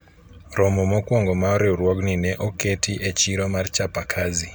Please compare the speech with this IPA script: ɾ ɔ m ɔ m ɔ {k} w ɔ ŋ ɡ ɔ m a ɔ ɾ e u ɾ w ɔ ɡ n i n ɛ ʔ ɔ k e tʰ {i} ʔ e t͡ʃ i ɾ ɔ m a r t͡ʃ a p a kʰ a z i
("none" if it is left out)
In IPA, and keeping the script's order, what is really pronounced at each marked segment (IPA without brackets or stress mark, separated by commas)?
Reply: k, i